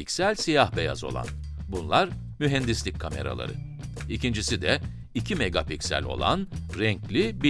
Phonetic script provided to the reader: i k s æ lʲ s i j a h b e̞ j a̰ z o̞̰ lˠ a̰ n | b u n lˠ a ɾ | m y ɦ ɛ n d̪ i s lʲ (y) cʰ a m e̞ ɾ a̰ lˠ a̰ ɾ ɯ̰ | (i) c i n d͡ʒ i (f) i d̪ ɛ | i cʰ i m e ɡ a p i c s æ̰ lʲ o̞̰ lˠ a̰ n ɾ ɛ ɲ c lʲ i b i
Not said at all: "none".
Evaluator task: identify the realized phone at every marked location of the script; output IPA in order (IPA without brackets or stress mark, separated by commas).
i, i, s